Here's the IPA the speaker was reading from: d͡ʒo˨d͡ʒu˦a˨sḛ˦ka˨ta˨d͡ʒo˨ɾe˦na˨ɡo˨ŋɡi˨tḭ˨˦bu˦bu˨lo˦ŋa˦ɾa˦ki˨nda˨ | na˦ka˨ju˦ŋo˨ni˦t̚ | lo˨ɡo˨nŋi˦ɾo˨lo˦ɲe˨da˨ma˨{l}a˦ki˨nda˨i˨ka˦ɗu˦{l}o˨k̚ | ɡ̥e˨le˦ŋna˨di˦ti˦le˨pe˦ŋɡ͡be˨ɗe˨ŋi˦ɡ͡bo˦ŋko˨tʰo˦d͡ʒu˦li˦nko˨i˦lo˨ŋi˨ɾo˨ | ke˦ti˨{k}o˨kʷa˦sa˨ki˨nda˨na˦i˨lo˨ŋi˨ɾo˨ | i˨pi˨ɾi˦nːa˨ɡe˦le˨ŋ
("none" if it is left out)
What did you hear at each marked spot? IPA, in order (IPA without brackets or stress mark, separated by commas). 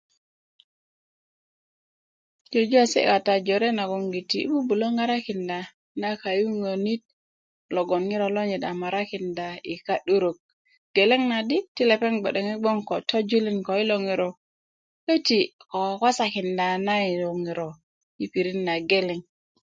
ɾ, ɾ, k